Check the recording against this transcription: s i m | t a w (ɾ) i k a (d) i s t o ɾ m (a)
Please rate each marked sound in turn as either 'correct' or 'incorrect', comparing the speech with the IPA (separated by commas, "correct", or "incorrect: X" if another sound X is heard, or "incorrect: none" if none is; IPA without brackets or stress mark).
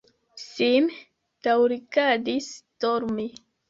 correct, correct, incorrect: i